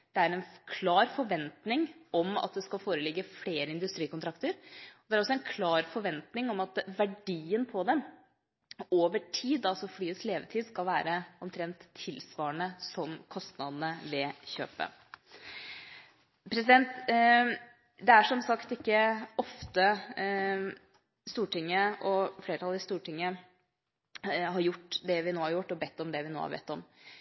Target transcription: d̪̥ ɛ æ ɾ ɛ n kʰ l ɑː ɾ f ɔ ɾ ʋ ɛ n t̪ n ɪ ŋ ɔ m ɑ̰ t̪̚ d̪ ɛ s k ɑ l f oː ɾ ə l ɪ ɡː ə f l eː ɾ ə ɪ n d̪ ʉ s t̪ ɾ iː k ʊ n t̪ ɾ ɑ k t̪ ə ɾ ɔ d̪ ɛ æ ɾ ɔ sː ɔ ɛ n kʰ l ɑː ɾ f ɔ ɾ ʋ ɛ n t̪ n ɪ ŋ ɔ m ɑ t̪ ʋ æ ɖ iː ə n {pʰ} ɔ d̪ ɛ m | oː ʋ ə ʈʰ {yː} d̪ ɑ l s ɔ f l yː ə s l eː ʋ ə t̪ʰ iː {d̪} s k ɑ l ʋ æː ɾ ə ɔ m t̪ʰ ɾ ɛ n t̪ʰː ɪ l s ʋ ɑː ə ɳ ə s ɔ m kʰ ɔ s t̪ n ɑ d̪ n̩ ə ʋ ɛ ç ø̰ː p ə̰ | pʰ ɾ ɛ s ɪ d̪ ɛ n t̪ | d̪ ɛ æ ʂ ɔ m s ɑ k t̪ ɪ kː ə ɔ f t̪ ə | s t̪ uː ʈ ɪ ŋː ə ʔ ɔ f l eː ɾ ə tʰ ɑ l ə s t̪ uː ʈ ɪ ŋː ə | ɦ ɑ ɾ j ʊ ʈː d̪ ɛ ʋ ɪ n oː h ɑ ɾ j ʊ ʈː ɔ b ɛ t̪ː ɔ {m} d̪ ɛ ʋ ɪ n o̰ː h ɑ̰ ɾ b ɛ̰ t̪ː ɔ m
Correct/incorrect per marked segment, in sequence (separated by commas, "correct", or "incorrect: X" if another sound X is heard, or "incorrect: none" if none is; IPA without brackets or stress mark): correct, incorrect: iː, correct, correct